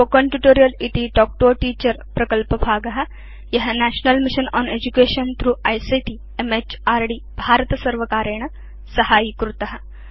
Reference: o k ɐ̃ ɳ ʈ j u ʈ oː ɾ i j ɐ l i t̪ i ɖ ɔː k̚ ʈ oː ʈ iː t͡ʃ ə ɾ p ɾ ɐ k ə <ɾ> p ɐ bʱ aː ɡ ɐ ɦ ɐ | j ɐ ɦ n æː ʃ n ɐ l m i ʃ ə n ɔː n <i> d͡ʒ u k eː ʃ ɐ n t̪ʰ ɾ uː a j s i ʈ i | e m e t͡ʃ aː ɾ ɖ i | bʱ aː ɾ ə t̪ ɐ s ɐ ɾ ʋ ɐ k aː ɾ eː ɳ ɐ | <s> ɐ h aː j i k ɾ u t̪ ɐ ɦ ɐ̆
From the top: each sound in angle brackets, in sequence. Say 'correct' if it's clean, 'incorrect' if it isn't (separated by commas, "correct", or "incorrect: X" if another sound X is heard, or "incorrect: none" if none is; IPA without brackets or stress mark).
incorrect: l, incorrect: e, correct